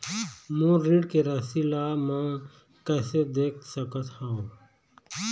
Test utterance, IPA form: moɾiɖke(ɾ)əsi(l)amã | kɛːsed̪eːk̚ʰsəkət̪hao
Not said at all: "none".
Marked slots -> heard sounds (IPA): ɾ, l

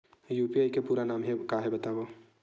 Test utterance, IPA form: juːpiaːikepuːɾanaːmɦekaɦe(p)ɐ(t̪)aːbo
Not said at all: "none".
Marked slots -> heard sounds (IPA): b, t̪

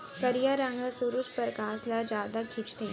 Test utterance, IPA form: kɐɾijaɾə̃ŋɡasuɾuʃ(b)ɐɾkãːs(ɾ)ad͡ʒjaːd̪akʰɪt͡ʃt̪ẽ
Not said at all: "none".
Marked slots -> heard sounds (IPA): p, l

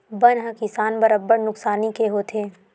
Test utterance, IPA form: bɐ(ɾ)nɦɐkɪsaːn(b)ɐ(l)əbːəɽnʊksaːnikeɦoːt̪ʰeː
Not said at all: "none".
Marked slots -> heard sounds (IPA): none, b, ɾ

